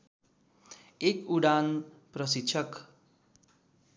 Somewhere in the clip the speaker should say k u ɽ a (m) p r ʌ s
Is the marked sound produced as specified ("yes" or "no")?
no